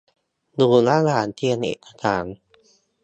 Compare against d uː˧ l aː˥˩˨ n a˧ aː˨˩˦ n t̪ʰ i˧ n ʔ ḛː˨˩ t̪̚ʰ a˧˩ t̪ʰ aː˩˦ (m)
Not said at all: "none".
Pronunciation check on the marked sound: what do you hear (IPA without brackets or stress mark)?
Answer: n